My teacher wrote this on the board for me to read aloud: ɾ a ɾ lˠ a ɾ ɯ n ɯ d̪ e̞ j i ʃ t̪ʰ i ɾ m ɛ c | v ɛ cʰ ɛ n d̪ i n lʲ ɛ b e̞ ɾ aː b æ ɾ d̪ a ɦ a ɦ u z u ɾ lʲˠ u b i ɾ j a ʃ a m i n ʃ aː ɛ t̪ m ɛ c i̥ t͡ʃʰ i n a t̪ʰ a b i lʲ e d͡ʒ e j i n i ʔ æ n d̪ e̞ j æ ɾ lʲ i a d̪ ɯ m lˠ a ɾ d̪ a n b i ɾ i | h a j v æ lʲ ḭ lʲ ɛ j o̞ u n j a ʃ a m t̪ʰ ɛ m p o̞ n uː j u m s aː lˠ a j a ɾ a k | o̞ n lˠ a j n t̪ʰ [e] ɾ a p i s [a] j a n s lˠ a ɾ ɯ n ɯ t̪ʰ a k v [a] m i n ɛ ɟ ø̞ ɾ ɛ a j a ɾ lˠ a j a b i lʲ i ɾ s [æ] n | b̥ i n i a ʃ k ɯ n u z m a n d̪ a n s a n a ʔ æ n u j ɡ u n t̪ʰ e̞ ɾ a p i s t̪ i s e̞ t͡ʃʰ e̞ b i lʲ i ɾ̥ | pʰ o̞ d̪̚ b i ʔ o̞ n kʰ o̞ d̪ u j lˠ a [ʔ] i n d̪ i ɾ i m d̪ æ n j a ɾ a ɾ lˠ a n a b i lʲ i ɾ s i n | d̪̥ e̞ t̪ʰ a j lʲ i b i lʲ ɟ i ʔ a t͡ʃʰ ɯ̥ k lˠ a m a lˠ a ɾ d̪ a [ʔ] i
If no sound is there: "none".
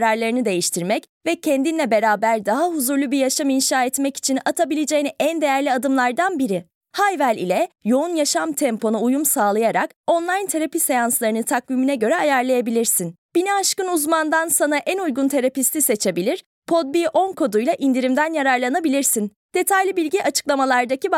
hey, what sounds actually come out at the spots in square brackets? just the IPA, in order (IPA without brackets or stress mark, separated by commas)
e, e, i, i, ʔ, c